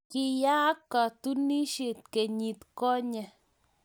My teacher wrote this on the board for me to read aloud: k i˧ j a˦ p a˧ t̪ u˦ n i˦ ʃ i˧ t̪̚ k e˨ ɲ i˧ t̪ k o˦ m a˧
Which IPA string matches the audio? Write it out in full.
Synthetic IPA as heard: k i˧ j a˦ k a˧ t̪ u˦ n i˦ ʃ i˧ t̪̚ k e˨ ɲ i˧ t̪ k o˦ ɲ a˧